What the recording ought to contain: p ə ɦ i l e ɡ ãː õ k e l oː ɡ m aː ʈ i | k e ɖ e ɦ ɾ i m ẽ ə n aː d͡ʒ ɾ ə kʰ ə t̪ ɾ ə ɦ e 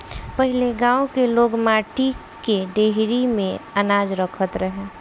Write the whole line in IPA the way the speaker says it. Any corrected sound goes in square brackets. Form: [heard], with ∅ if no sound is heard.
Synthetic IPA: p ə ɦ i l e ɡ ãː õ k e l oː ɡ m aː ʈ i | k e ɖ e ɦ ɾ i m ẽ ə n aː d͡ʒ ɾ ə kʰ ə t̪ ɾ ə ɦ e

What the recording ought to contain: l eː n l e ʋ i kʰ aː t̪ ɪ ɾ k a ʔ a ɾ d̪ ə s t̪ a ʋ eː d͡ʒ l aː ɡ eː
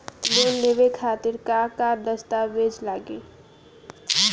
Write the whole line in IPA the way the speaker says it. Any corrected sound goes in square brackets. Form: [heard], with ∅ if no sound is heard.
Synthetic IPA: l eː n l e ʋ [e] kʰ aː t̪ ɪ ɾ k a [k] a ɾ d̪ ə s t̪ a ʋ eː d͡ʒ l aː ɡ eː

